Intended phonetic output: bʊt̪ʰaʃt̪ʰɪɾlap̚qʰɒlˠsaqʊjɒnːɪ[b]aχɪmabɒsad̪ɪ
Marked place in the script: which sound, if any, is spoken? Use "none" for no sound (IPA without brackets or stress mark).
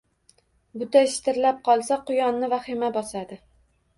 v